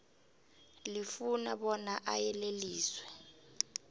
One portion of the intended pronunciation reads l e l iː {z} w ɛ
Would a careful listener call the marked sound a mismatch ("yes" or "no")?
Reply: yes